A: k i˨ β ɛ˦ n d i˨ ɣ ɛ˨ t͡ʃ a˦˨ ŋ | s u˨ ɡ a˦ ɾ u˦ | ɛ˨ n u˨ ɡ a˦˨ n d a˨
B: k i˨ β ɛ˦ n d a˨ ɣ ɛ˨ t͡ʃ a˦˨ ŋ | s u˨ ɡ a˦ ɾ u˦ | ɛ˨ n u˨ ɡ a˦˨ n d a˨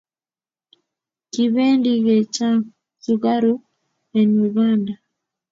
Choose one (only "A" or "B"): A